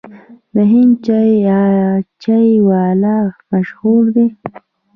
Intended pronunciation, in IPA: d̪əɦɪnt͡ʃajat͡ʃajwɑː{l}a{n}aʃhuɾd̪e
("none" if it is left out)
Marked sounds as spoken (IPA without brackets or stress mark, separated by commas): l, m